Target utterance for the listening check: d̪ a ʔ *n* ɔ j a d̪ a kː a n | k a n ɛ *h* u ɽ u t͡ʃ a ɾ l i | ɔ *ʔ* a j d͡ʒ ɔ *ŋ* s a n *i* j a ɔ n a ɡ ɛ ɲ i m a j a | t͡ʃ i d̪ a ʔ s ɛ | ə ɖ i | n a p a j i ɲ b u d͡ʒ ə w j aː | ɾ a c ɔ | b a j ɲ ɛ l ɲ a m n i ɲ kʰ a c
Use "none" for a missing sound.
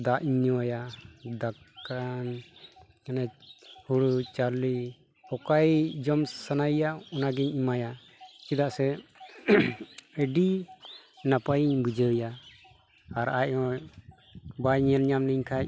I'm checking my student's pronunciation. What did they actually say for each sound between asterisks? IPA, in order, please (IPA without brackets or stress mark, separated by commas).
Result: ɲ, h, k, m, a